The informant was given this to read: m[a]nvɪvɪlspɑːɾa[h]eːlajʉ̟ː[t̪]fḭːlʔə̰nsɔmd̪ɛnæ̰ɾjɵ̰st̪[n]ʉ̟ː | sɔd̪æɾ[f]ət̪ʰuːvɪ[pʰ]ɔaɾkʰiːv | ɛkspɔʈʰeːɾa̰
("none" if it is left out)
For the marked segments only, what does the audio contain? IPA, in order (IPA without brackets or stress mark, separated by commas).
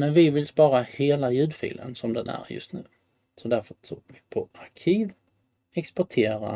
ɛ, h, d̪, n, f, pʰ